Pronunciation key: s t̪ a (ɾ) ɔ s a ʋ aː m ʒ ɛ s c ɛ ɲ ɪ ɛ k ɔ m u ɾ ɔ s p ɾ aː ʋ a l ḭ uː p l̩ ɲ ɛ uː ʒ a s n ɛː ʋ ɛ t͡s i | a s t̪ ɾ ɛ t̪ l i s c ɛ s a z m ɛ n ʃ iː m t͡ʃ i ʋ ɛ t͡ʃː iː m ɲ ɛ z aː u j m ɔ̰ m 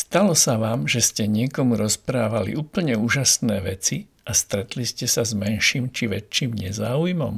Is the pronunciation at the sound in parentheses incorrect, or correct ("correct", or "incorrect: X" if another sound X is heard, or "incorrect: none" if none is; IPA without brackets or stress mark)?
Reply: incorrect: l